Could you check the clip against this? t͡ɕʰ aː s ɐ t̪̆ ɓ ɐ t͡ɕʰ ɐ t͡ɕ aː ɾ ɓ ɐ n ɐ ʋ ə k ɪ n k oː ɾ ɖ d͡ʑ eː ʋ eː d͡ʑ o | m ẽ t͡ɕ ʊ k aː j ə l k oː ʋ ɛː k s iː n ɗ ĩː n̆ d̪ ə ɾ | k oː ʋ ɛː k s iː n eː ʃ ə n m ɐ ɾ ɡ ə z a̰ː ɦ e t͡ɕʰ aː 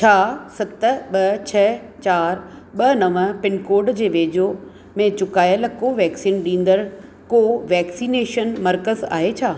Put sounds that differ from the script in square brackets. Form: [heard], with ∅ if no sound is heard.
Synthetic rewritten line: t͡ɕʰ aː s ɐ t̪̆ ɓ ɐ t͡ɕʰ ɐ t͡ɕ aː ɾ ɓ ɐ n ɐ ʋ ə [p] ɪ n k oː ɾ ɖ d͡ʑ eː ʋ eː d͡ʑ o | m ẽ t͡ɕ ʊ k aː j ə l k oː ʋ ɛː k s iː n ɗ ĩː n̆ d̪ ə ɾ | k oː ʋ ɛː k s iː n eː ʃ ə n m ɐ ɾ [k] ə z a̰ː ɦ e t͡ɕʰ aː